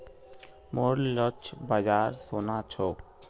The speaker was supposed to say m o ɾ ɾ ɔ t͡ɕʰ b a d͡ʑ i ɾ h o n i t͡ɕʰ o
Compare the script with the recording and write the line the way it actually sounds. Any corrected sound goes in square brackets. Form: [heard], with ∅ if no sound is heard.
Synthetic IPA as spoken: m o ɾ [l] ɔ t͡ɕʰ b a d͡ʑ [a] ɾ [s] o n [a] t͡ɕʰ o